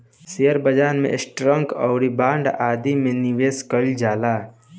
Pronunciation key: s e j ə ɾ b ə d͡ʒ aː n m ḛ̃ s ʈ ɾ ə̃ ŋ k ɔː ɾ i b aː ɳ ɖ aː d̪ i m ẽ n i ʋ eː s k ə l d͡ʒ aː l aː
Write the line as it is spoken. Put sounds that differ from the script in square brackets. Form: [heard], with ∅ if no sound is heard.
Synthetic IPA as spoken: s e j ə ɾ b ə d͡ʒ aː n m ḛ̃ s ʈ ɾ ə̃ ŋ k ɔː ɾ i b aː ɳ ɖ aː d̪ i m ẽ n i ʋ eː s k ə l d͡ʒ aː l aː